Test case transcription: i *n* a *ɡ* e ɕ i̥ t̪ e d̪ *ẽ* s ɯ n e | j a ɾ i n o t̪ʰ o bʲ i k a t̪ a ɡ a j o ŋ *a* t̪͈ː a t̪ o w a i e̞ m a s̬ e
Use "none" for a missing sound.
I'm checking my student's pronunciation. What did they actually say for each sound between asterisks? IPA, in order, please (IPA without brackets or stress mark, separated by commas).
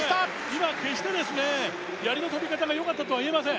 m, k, e, a